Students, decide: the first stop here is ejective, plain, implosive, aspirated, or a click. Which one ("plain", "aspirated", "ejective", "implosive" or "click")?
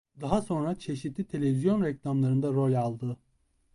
plain